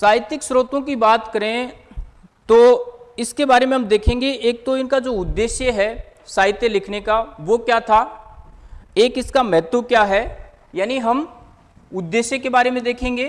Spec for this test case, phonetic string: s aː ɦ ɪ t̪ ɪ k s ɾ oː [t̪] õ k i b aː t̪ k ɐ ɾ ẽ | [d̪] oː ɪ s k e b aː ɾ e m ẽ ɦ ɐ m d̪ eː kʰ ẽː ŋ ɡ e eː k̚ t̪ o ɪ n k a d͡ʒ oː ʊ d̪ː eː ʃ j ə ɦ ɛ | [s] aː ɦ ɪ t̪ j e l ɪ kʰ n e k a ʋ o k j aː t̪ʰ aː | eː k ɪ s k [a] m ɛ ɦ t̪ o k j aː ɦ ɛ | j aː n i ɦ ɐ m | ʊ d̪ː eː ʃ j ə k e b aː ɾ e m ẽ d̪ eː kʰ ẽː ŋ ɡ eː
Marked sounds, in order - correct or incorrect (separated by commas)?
correct, incorrect, correct, correct